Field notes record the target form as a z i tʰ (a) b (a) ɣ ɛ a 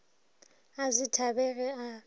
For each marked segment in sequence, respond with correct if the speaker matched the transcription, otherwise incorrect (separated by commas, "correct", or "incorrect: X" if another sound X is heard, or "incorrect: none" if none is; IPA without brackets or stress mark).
correct, incorrect: ɛ